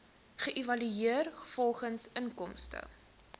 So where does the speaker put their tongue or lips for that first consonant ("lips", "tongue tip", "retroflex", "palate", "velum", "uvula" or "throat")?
uvula